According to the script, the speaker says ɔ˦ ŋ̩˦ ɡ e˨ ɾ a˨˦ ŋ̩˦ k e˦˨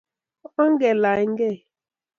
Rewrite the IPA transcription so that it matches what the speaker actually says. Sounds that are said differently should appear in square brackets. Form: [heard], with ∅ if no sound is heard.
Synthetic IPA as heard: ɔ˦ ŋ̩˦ ɡ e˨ [l] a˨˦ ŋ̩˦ [ɡ] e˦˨